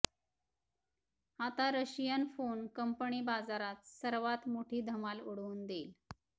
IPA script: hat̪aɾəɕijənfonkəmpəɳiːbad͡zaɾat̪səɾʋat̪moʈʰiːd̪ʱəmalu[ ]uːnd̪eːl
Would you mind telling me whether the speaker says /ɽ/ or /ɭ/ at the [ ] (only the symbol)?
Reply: ɽ